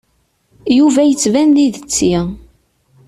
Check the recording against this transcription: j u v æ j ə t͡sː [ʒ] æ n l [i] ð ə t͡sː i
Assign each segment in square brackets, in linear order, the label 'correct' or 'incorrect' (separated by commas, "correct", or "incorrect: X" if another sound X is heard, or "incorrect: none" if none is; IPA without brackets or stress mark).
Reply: incorrect: v, correct